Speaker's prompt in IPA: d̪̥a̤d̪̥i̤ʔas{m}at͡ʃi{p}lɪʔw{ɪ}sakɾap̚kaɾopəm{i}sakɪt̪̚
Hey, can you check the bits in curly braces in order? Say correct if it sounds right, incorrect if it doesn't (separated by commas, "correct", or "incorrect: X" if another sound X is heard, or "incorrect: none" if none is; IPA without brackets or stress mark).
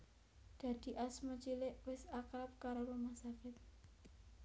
correct, incorrect: none, correct, incorrect: a